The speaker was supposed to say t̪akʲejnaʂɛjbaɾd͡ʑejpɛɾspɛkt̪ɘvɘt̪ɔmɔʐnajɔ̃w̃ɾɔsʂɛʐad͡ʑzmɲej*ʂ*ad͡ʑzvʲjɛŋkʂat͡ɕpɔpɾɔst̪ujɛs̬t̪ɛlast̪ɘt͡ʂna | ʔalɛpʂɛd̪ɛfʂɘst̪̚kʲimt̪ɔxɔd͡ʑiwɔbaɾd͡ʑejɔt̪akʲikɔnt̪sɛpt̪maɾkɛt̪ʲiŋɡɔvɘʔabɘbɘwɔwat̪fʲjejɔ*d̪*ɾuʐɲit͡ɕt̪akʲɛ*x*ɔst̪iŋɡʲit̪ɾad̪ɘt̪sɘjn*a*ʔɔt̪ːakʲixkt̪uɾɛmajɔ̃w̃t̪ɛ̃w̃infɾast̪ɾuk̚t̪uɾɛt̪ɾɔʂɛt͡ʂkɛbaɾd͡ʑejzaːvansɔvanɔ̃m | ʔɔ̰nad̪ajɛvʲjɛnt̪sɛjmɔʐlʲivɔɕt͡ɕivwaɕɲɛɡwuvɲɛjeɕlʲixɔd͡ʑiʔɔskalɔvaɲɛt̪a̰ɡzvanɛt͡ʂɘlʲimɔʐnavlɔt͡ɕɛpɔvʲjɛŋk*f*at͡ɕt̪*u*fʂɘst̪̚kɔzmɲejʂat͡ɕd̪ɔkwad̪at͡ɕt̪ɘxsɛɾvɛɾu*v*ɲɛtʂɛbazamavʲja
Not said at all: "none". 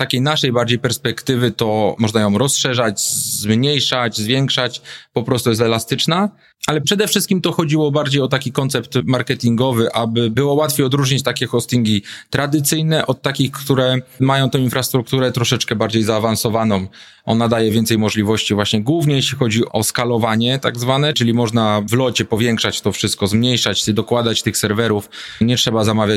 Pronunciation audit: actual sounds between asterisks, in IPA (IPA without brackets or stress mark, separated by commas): ʂ, d̪, x, ɛ, ʂ, ɔ, f